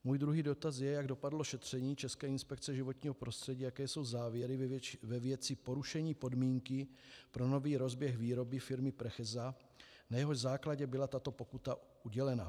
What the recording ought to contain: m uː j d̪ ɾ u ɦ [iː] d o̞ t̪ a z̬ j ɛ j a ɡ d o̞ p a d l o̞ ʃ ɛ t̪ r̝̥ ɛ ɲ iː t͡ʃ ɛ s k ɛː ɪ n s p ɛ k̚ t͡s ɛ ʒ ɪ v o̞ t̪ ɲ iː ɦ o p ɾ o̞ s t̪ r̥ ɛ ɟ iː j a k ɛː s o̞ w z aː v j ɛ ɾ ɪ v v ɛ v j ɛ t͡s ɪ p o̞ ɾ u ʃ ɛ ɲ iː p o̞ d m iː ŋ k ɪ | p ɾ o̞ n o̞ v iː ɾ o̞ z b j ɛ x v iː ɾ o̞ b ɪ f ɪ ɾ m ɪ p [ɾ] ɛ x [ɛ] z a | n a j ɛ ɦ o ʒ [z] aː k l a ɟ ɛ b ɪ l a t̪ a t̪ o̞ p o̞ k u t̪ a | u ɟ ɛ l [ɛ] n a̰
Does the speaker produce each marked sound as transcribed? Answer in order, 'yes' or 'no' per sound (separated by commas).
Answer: yes, yes, yes, yes, yes